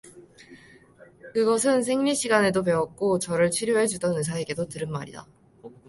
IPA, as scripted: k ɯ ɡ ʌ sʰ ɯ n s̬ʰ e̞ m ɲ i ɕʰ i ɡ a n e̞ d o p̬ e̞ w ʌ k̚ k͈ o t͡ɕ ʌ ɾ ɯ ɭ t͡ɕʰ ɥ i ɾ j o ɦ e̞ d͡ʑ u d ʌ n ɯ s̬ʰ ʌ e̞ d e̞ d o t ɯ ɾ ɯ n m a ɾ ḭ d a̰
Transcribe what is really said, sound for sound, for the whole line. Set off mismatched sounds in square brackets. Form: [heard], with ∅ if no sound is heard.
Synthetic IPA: k ɯ ɡ ʌ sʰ ɯ n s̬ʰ e̞ [ŋ] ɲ i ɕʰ i ɡ a n e̞ d o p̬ e̞ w ʌ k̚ k͈ o t͡ɕ ʌ ɾ ɯ ɭ t͡ɕʰ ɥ i ɾ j o ɦ e̞ d͡ʑ u d ʌ n ɯ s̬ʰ [a] e̞ [ɡ] e̞ d o t ɯ ɾ ɯ n m a ɾ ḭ d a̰